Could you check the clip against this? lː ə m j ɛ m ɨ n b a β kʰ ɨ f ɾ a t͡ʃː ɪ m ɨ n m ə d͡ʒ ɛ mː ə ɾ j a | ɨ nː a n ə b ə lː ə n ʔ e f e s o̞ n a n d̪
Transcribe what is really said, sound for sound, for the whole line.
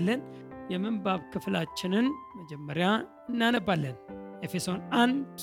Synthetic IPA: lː ə n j ɛ m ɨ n b a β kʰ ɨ f l a t͡ʃː ɪ n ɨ n m ə d͡ʒ ɛ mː ə ɾ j a | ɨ nː a n ə b a lː ə n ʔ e f e s o̞ n a n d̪